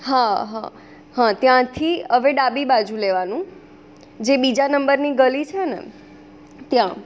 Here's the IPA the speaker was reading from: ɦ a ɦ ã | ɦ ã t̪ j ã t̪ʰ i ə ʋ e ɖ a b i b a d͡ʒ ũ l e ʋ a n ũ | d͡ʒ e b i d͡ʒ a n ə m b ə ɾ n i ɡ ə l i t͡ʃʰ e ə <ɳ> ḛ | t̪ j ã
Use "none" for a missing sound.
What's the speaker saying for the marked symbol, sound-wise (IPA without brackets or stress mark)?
n